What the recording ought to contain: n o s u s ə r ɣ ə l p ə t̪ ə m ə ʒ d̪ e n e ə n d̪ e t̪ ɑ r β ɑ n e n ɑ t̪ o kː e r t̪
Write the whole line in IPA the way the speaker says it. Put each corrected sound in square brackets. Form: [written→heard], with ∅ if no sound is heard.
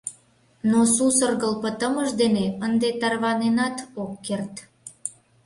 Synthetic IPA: n o s u s ə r ɣ ə l p ə t̪ ə m ə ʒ d̪ e n e ə n d̪ e t̪ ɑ r β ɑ n e n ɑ t̪ o kː e r t̪

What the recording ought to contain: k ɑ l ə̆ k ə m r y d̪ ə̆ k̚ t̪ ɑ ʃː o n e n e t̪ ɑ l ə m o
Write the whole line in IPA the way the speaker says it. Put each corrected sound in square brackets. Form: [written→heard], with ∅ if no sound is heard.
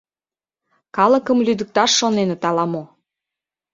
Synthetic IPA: k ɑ l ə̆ k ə m [r→l] y d̪ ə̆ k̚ t̪ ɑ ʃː o n e n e t̪ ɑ l [ə→ɑ] m o

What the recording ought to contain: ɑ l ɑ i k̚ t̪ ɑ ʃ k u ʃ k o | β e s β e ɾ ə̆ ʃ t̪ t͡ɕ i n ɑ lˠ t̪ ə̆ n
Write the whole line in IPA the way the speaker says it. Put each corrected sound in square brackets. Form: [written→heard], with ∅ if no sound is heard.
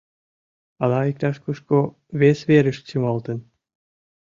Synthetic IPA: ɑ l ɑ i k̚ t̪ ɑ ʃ k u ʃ k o | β e s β e ɾ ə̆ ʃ t̪ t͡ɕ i [n→m] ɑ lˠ t̪ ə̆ n

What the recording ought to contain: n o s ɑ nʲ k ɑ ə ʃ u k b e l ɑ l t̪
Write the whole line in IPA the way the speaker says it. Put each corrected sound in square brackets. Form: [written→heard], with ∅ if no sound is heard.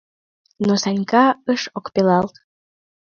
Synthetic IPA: n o s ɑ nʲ k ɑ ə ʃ [u→o] k [b→p] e l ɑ l t̪

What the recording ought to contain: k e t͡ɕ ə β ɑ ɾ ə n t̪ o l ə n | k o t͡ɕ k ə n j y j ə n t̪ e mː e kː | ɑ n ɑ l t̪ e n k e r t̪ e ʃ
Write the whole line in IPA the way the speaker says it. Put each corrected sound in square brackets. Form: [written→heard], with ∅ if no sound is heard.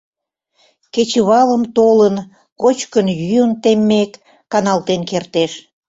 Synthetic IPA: k e t͡ɕ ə β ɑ [ɾ→l] ə [n→m] t̪ o l ə n | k o t͡ɕ k ə n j y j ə n t̪ e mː e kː | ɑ n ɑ l t̪ e n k e r t̪ e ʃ

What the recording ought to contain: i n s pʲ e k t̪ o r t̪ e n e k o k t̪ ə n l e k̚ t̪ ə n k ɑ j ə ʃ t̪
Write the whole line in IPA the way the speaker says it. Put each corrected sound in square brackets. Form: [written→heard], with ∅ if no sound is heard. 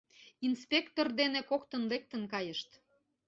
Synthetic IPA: i n s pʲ e k t̪ o r [t̪→d̪] e n e k o k t̪ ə n l e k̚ t̪ ə n k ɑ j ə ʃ t̪

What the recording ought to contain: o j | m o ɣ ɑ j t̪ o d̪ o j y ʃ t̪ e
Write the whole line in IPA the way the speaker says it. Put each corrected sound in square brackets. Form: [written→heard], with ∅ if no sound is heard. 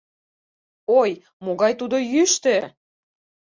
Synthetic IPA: o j | m o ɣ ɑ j t̪ [o→u] d̪ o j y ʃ t̪ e

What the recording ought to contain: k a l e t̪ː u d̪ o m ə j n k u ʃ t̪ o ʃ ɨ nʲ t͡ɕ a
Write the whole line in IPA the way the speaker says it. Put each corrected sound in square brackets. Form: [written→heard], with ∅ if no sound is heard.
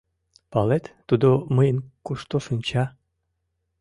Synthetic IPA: [k→p] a l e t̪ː u d̪ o m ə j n k u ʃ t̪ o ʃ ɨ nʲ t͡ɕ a

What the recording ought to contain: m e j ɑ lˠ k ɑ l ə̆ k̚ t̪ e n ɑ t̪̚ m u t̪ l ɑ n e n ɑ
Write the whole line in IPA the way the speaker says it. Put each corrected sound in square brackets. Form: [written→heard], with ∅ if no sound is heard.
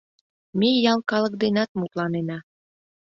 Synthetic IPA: m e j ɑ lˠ k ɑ l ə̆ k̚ [t̪→d̪] e n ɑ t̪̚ m u t̪ l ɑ n e n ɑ

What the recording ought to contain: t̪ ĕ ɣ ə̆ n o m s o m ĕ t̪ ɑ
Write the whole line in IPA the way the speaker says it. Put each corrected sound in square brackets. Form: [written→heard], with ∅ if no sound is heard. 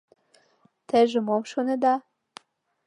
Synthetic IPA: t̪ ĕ [ɣ→ʒ] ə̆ [n→m] o m [s→ʃ] o [m→n] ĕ [t̪→d̪] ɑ

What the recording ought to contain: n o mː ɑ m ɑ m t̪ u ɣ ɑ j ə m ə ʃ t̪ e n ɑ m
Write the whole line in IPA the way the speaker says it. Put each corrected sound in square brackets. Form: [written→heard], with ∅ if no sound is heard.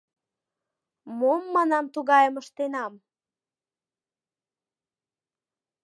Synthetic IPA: [n→m] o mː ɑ [m→n] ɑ m t̪ u ɣ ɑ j ə m ə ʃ t̪ e n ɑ m

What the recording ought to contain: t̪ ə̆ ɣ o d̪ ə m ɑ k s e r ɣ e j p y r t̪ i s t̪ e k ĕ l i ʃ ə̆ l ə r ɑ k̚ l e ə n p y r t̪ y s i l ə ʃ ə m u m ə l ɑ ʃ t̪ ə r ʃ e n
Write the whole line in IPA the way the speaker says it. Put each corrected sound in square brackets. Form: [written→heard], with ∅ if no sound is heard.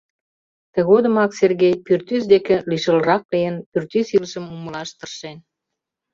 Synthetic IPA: t̪ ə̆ ɣ o d̪ ə m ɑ k s e r ɣ e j p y r t̪ [i→y] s [t̪→d̪] e k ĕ l i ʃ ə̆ l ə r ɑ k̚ l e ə n p y r t̪ y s i l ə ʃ ə m u m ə l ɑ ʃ t̪ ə r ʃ e n

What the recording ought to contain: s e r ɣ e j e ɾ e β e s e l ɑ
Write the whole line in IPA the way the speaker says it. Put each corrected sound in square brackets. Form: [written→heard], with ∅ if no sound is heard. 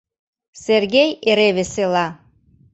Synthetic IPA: s e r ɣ e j e ɾ e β e s e l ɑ

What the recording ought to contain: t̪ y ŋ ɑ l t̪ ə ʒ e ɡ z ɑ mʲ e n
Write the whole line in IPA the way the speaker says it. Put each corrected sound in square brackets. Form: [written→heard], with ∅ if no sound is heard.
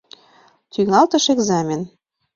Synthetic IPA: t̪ y ŋ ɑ l t̪ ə [ʒ→ʃ] e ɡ z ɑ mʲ e n

